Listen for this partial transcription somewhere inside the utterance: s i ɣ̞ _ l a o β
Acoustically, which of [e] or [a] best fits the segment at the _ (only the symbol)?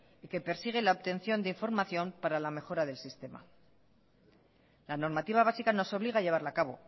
e